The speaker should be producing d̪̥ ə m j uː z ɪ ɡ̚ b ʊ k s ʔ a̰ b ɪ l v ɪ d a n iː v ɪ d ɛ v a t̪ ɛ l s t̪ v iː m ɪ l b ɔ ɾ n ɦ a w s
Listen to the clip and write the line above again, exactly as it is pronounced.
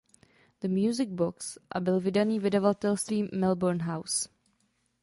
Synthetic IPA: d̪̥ ə m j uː z ɪ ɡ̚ b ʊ k s ʔ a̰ b ɪ l v ɪ d a n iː v ɪ d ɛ v a t̪ ɛ l s t̪ v iː m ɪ l b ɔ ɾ n ɦ a w s